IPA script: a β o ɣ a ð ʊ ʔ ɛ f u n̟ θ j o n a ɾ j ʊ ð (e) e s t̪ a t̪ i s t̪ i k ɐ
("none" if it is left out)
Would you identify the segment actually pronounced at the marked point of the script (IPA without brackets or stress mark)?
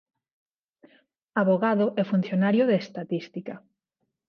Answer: e